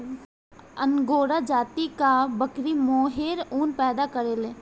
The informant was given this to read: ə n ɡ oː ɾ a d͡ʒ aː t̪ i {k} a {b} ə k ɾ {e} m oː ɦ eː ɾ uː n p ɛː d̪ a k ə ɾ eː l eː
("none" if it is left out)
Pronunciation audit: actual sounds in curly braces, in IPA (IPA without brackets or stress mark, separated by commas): k, b, i